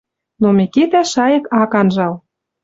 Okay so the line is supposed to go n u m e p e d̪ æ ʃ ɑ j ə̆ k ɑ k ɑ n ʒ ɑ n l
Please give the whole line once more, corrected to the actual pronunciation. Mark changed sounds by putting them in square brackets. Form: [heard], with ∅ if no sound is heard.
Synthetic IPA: n [o] m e [k] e [t̪] æ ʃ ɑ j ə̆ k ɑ k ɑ n ʒ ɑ [∅] l

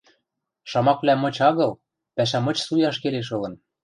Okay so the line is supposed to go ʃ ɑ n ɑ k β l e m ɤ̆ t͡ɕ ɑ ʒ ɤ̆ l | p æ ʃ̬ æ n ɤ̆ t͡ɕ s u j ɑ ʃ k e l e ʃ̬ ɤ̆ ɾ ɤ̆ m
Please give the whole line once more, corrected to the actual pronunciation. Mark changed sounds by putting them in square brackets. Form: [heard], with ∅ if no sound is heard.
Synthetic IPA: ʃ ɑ [m] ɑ k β l [æ] m ɤ̆ t͡ɕ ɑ [ɣ] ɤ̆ l | p æ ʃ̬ æ [m] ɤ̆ t͡ɕ s u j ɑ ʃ k e l e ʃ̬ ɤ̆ [l] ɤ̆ [n]

